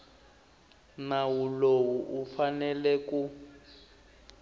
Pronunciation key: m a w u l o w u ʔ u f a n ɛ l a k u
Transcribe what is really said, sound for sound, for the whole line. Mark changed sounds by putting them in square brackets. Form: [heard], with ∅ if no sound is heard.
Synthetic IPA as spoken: [n] a w u l o w u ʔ u f a n ɛ l [ɛ] k u